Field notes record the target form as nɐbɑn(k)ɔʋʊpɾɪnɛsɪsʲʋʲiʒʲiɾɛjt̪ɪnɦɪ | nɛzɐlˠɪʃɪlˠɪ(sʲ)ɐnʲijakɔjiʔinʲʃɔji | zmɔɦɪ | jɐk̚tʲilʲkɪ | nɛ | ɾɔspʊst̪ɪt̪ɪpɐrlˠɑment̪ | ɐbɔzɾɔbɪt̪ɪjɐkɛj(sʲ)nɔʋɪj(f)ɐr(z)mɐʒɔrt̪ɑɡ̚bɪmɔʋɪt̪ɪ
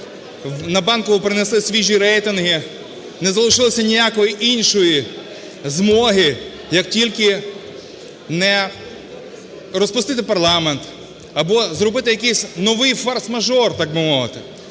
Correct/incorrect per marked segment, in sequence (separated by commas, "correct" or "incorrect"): correct, correct, correct, correct, incorrect